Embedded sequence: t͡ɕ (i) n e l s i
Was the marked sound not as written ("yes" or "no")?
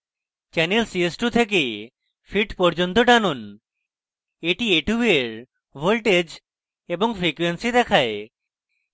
yes